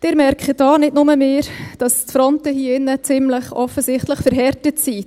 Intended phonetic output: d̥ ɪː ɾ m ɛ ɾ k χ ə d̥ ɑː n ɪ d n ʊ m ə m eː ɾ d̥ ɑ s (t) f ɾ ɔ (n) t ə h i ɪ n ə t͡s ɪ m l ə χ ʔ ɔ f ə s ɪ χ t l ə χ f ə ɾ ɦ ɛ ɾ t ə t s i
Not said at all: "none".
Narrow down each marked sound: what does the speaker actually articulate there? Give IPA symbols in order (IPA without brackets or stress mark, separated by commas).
t, n